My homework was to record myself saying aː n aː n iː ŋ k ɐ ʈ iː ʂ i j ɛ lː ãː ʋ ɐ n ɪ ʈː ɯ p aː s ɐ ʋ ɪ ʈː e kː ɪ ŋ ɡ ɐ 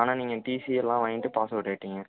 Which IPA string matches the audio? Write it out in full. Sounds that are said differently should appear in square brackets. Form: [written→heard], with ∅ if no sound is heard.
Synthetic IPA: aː n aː n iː ŋ [k→ɡ] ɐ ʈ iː [ʂ→s] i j ɛ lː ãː ʋ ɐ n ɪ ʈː ɯ p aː s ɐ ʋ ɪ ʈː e [kː→ʈː] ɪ ŋ ɡ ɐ